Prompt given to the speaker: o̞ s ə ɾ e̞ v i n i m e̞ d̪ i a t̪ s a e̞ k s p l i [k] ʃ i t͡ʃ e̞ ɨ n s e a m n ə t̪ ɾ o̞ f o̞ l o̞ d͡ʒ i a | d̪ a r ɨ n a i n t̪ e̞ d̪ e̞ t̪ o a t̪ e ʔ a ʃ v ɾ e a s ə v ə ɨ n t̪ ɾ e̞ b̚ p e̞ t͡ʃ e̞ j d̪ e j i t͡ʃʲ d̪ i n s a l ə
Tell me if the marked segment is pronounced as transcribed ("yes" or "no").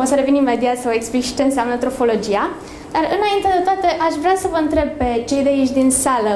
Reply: yes